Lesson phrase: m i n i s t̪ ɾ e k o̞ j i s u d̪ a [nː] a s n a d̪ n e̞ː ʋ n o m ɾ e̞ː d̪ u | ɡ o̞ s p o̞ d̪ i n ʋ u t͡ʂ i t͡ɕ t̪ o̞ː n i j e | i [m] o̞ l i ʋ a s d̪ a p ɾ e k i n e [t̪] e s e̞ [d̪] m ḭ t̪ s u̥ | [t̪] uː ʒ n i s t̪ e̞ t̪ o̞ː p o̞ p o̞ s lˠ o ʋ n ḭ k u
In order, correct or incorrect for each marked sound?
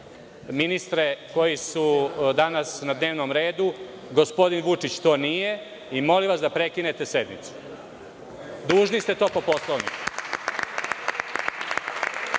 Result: incorrect: n, correct, correct, correct, incorrect: d̪

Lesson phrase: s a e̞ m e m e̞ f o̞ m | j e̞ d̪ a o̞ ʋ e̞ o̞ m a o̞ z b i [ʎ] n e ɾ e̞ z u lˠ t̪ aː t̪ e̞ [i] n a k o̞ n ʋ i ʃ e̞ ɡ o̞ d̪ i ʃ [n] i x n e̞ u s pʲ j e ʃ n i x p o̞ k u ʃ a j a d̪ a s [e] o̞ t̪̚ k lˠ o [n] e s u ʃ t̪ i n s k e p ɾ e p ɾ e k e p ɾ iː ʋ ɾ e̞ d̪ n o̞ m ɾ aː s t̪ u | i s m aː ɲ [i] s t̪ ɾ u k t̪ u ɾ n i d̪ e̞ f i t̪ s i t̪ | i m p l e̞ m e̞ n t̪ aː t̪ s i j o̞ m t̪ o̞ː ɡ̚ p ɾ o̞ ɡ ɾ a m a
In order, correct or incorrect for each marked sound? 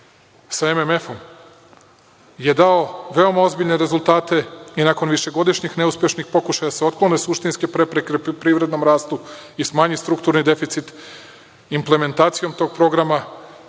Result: correct, correct, incorrect: ɲ, correct, correct, correct

